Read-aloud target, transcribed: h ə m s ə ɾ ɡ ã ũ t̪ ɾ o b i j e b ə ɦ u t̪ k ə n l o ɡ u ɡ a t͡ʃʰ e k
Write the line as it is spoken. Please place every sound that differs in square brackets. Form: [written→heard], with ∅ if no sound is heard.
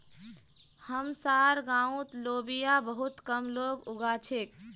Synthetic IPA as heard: h ə m s [ə→a] ɾ ɡ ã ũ t̪ [ɾ→l] o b i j [e→a] b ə ɦ u t̪ k ə [n→m] l o ɡ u ɡ a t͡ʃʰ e k